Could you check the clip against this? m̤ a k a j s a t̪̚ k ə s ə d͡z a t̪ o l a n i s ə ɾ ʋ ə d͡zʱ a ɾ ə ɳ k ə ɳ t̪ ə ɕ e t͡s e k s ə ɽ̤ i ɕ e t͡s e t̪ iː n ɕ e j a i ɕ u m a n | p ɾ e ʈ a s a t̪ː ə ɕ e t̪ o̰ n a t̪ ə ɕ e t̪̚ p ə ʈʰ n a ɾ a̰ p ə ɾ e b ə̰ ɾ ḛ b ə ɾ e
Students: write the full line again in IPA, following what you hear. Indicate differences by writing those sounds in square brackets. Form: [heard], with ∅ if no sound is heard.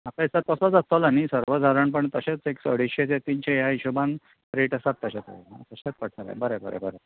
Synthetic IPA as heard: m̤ a k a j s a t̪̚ k ə s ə d͡z a t̪ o l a n i s ə ɾ ʋ ə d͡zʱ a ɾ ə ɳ [p] ə ɳ t̪ ə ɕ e t͡s e k s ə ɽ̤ i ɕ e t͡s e t̪ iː n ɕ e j a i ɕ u [b] a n | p ɾ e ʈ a s a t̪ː ə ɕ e t̪ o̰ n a t̪ ə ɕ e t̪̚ p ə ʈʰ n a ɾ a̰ [b] ə ɾ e b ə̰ ɾ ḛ b ə ɾ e